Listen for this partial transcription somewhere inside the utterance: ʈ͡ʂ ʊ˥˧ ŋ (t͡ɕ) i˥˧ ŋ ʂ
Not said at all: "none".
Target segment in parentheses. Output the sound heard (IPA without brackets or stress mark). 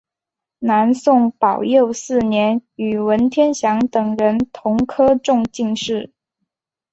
t͡ɕ